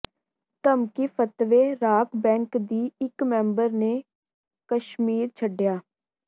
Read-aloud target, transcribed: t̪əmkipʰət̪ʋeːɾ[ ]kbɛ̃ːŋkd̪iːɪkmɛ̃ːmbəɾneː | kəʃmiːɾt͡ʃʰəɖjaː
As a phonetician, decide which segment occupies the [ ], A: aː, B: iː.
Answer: A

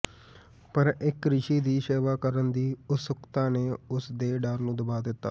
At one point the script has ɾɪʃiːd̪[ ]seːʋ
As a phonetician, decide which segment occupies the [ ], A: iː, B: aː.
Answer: A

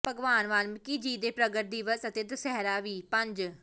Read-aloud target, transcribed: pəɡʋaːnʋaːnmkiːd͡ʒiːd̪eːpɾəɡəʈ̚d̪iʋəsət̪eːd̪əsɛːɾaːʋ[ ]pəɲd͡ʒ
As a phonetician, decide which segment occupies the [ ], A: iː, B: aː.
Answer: A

